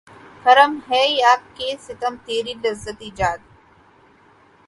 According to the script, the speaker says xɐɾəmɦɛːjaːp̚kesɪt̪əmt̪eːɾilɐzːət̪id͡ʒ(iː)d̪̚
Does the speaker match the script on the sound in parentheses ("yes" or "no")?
no